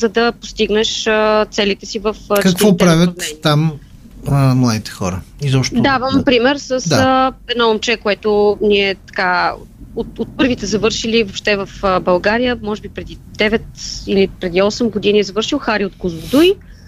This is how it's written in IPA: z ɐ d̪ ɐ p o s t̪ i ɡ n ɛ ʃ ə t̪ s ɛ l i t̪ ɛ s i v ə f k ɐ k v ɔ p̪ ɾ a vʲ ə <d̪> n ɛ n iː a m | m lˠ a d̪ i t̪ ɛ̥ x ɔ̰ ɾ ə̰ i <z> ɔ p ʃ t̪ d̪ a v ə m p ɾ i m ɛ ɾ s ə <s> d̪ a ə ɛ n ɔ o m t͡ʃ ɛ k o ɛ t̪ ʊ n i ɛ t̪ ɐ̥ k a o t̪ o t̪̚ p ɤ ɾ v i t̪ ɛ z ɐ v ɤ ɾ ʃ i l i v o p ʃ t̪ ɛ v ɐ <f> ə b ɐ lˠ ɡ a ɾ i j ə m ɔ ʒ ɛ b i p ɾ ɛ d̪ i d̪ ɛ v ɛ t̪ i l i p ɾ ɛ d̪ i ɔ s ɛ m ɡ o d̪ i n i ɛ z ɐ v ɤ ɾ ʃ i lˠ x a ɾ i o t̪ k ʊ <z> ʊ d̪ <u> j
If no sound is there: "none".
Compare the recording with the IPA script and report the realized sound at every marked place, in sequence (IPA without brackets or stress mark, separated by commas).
t̪, z, s, f, z, u